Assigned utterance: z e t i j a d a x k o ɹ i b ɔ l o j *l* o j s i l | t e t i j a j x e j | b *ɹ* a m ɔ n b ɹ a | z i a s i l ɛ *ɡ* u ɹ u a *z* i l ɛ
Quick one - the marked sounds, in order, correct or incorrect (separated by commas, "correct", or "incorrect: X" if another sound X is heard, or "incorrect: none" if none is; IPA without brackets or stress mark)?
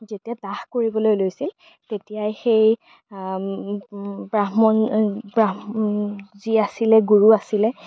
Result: correct, correct, correct, incorrect: s